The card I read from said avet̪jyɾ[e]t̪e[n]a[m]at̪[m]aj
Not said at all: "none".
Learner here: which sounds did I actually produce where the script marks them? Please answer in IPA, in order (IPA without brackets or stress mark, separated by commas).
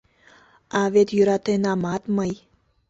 a, n, m, m